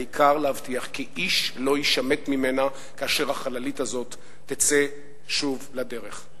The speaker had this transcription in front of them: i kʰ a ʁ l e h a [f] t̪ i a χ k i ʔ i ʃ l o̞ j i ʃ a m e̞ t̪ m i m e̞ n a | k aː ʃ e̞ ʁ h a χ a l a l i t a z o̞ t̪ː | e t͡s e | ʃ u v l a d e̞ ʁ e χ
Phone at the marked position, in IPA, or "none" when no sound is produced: v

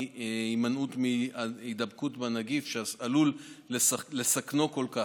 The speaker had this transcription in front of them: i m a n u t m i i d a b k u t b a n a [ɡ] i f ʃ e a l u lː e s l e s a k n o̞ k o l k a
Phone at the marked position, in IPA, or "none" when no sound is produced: ɡ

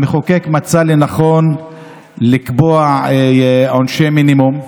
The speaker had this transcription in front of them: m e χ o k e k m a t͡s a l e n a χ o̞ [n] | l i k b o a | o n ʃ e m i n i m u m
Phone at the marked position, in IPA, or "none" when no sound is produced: n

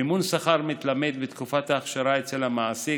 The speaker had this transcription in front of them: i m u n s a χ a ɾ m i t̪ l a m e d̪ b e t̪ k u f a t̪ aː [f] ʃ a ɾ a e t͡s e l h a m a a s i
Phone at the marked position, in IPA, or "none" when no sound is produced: χ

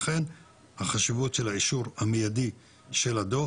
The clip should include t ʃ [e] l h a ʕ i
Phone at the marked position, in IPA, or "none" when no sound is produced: e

